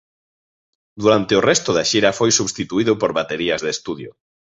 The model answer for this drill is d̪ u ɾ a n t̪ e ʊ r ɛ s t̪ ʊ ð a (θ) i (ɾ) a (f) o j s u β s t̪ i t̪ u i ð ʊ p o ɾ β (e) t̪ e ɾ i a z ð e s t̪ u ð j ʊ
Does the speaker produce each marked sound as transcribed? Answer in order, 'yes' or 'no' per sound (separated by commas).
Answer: no, yes, yes, no